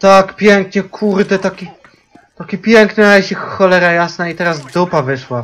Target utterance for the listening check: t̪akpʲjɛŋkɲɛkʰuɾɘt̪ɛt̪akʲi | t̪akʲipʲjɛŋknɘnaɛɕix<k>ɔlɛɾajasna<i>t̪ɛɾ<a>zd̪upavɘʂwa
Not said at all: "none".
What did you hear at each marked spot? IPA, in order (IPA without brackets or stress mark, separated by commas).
x, i, a